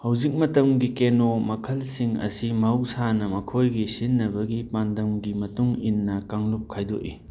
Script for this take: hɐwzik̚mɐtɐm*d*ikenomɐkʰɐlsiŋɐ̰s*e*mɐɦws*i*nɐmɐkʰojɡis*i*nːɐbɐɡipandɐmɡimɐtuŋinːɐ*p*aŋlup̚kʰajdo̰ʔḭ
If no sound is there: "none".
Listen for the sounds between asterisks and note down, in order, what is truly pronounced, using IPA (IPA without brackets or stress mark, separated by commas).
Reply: ɡ, i, a, i, k